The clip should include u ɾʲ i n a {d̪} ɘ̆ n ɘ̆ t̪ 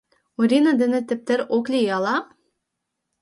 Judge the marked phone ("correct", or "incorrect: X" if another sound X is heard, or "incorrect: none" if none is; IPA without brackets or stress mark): correct